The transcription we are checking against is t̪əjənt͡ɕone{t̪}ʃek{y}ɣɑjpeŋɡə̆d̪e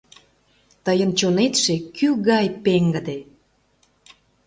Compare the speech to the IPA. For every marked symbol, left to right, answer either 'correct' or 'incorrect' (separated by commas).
correct, correct